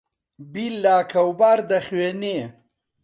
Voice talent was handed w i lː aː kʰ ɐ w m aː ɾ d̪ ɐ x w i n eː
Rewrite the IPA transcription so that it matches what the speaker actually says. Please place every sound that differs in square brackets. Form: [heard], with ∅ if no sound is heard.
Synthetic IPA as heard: [b] i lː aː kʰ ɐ w [b] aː ɾ d̪ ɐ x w [e] n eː